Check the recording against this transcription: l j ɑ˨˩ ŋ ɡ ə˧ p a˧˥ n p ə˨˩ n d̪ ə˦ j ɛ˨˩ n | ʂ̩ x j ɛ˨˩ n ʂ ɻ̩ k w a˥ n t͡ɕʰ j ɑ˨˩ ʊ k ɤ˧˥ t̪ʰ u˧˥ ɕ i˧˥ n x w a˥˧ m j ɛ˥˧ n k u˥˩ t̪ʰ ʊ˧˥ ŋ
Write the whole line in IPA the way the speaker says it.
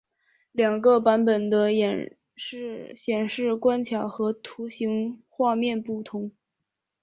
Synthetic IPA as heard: l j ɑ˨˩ ŋ ɡ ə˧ p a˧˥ n p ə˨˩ n d̪ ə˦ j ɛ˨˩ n | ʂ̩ ɕ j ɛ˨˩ n ʂ ɻ̩ k w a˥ n t͡ɕʰ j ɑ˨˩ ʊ x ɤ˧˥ t̪ʰ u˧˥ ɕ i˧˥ ŋ x w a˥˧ m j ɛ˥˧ n p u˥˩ t̪ʰ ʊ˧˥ ŋ